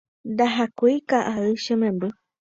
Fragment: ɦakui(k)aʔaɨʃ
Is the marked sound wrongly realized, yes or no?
no